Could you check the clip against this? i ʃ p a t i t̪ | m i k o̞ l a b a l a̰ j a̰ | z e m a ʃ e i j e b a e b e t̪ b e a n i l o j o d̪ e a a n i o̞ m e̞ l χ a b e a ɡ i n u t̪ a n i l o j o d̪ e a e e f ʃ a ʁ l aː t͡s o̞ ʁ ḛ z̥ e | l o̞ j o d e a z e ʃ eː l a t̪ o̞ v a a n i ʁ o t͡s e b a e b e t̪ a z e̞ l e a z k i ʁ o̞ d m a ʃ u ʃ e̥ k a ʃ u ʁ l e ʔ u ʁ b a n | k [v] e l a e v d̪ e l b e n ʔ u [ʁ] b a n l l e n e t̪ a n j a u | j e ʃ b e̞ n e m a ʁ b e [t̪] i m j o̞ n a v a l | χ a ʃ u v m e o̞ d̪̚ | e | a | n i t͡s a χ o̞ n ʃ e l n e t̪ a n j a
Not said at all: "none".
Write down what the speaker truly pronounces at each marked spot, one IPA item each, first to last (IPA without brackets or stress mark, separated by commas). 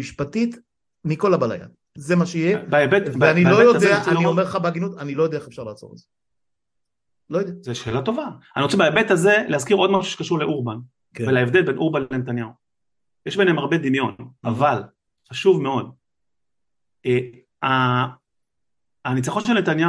v, ʁ, d̪